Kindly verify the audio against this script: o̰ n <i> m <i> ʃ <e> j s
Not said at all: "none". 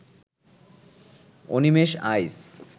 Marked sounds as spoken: i, e, a

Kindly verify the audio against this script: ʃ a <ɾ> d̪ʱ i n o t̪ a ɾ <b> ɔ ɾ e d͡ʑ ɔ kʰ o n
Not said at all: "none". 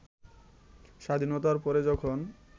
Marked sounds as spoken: none, p

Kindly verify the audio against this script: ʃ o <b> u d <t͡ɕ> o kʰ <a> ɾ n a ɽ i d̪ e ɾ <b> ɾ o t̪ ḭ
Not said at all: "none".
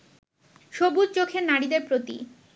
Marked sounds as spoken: b, t͡ɕ, e, p

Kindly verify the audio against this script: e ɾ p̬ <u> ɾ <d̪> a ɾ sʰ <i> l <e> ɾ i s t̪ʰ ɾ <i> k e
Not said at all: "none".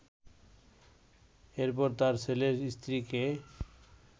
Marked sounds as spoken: ɔ, t̪, e, e, i

